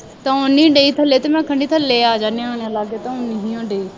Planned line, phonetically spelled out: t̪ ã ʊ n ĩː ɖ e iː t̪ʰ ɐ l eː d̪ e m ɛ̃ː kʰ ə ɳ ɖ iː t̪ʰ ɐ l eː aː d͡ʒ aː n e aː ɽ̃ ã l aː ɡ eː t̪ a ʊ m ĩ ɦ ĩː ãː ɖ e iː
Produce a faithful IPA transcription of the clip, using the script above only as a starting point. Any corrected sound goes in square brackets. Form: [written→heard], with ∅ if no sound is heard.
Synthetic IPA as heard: t̪ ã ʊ n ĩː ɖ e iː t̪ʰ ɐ l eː [d̪→t̪] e m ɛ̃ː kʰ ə ɳ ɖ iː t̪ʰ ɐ l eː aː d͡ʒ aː n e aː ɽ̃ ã l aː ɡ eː t̪ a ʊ [m→n] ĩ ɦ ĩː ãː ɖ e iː